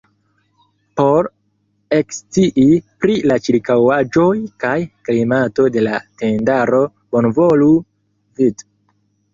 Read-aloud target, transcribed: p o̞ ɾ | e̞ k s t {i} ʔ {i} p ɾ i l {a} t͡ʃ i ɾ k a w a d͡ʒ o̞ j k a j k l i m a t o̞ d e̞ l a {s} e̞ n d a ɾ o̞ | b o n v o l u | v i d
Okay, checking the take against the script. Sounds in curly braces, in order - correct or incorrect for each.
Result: correct, correct, correct, incorrect

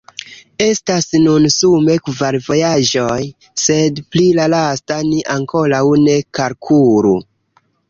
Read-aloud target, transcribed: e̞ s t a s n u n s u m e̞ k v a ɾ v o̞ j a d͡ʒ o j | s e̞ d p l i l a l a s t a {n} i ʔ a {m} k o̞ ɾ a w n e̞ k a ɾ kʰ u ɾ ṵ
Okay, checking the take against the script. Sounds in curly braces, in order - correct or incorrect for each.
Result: correct, incorrect

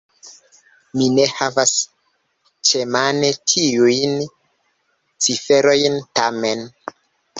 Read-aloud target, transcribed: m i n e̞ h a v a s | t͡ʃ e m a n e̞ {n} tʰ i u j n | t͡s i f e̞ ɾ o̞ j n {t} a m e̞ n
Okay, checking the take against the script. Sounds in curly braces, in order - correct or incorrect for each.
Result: incorrect, correct

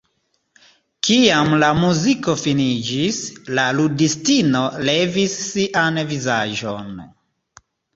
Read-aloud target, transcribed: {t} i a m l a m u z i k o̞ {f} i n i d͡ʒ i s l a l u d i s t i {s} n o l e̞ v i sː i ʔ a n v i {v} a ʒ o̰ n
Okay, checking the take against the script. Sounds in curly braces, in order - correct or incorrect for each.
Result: incorrect, correct, incorrect, incorrect

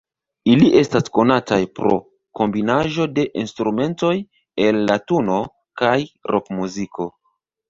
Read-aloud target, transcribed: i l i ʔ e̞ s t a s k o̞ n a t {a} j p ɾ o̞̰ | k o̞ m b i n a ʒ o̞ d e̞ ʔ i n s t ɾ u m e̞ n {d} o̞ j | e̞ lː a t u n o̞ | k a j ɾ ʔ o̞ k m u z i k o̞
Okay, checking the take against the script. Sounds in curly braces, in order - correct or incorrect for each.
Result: correct, incorrect

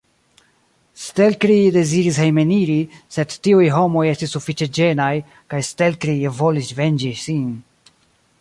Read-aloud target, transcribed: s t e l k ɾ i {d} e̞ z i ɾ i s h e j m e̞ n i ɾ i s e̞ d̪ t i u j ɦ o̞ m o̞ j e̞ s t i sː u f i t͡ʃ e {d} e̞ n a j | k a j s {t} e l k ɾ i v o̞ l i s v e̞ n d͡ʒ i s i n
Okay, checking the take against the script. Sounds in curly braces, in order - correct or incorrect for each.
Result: correct, incorrect, correct

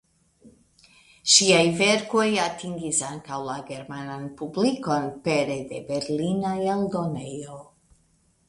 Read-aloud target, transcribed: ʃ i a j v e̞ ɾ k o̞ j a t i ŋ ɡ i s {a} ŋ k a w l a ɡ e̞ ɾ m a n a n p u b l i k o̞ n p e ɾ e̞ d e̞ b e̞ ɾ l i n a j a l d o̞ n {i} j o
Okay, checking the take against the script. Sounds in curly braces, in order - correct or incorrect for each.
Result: correct, incorrect

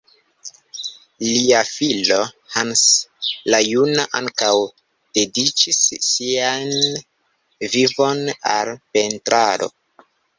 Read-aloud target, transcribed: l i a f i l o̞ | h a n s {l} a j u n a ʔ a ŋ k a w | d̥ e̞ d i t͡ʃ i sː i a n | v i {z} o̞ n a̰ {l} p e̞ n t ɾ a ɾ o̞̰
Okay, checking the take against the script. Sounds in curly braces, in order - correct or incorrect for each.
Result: correct, incorrect, correct

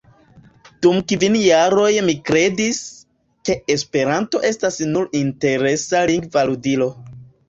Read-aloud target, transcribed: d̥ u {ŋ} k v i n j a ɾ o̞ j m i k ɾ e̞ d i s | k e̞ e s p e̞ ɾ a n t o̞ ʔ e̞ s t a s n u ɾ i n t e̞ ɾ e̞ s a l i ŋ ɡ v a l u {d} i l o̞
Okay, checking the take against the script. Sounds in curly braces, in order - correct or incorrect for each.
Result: incorrect, correct

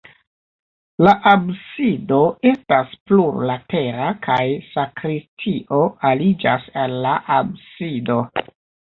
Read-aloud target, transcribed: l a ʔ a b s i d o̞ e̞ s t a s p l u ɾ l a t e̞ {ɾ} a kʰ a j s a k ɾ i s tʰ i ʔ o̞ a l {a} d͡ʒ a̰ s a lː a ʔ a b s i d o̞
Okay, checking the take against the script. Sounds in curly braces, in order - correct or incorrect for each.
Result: correct, incorrect

